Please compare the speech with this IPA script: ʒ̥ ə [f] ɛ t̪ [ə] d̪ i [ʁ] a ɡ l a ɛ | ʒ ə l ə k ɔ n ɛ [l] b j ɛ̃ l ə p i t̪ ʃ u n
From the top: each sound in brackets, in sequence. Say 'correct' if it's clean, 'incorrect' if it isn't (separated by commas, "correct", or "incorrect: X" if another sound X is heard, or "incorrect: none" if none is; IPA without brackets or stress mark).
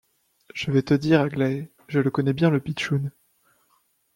incorrect: v, correct, correct, incorrect: none